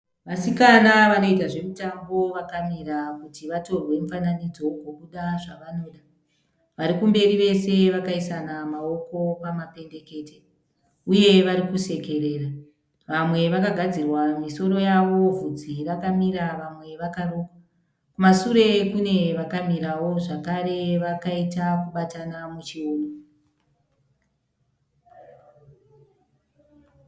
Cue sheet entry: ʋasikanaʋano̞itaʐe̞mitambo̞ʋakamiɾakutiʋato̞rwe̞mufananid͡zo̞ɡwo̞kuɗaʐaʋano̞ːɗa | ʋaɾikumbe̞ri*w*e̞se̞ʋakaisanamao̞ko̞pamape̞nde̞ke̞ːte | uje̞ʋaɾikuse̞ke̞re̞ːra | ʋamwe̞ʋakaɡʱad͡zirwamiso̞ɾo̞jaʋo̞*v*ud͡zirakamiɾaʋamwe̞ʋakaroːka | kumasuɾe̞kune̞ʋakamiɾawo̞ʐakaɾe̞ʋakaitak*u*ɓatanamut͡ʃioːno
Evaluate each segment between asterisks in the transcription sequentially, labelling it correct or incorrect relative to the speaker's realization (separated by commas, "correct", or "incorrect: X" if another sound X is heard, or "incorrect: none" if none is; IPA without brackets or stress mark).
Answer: incorrect: ʋ, correct, correct